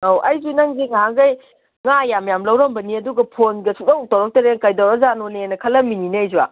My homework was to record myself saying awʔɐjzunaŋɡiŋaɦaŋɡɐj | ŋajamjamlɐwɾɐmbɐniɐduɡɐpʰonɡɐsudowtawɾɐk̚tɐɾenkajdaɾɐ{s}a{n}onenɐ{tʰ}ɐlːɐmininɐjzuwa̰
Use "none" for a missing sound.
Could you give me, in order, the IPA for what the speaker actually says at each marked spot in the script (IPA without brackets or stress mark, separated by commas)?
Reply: z, n, kʰ